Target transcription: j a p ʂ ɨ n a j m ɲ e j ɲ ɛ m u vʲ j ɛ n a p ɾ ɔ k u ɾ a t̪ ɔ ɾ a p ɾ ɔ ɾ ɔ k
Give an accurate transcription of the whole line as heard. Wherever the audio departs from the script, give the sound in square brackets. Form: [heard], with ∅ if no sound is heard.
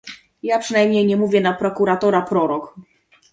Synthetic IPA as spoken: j a p ʂ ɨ n a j m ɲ e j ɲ ɛ m u vʲ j ɛ n a p ɾ ɔ k u ɾ a t̪ ɔ ɾ a p ɾ ɔ ɾ ɔ k